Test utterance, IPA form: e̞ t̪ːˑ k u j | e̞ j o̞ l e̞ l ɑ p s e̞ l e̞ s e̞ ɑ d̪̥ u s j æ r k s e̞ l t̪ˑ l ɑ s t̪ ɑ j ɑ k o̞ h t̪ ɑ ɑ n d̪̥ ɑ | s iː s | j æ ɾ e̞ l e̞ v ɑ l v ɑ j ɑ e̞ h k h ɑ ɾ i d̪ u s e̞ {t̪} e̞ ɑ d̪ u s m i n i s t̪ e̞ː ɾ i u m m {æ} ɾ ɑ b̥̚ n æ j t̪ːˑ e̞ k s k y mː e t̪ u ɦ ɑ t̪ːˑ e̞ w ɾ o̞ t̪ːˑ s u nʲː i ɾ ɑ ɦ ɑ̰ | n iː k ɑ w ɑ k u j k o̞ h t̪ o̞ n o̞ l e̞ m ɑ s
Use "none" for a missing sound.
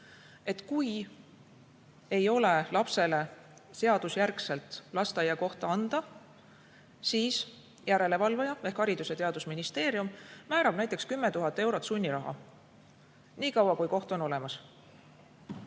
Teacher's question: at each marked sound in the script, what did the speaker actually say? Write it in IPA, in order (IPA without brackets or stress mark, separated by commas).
t̪, æː